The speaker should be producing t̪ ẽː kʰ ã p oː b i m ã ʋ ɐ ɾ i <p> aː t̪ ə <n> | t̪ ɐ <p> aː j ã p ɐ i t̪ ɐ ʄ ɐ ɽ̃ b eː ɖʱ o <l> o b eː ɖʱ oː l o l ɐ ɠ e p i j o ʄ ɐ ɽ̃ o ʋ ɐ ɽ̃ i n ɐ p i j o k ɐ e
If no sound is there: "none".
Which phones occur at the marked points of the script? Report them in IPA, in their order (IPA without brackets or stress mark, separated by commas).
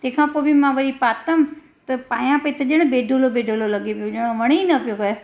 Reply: p, m, p, l